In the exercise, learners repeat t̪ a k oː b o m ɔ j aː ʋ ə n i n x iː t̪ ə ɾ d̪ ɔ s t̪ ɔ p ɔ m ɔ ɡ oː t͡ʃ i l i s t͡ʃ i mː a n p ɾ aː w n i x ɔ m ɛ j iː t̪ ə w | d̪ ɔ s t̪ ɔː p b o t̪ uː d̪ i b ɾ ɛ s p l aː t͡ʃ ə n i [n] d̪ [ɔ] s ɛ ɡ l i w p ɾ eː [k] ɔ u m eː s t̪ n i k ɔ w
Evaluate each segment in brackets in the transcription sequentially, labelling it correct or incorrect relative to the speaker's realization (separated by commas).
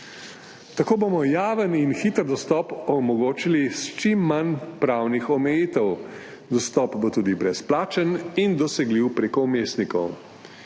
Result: correct, correct, correct